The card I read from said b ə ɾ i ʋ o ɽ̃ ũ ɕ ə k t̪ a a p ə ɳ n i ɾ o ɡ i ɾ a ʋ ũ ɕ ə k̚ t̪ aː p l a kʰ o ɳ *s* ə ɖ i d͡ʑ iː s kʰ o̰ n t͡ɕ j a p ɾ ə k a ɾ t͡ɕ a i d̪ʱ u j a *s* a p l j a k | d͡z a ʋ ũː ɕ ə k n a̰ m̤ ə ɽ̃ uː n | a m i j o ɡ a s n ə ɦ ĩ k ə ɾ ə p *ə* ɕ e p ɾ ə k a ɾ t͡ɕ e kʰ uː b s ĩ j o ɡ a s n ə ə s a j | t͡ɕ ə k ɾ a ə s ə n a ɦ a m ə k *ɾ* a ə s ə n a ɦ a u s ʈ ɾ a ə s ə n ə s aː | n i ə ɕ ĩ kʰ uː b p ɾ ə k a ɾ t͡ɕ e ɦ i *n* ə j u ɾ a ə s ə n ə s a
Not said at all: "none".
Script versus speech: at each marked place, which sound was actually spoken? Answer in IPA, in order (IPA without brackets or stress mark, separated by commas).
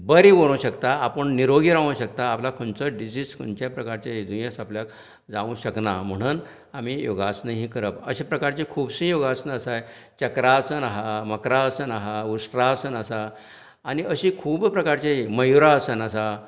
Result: t͡s, s, ə, ɾ, m